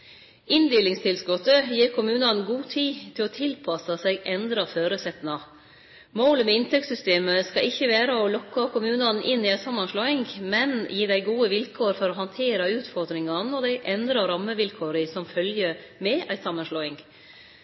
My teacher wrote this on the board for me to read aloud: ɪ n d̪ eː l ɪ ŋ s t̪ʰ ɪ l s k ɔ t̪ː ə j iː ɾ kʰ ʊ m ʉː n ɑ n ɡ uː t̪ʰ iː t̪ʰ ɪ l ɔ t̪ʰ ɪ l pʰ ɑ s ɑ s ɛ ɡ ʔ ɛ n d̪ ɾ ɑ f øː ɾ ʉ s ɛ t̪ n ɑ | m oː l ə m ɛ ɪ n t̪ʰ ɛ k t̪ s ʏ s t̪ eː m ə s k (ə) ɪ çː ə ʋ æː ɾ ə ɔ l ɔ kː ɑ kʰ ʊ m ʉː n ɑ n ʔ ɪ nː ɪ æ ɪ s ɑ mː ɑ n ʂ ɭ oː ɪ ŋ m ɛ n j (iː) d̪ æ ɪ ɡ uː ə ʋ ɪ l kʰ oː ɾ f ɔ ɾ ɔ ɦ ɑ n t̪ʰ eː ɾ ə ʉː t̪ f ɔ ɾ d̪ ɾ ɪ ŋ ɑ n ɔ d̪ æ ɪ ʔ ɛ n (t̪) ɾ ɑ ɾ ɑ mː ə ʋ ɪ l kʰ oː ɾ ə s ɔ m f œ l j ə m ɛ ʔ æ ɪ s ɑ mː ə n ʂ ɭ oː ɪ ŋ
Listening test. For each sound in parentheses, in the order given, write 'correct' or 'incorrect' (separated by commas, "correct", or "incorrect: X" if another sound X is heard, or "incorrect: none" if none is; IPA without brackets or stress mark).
incorrect: ɑ, correct, incorrect: d̪